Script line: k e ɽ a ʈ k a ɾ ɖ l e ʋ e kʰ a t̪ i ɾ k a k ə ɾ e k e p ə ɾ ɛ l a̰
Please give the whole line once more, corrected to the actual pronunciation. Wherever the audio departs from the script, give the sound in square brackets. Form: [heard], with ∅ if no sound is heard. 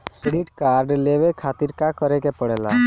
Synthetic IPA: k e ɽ [i] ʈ k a ɾ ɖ l e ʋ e kʰ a t̪ i ɾ k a k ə ɾ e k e p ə [ɽ] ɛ l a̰